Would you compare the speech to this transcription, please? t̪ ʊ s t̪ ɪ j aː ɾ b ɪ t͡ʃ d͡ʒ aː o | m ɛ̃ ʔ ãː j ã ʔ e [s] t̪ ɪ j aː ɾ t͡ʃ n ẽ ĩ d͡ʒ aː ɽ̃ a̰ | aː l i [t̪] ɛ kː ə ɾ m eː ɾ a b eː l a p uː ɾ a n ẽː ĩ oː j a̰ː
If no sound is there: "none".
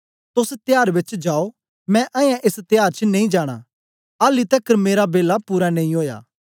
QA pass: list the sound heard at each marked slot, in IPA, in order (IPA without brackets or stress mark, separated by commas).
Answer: s, t̪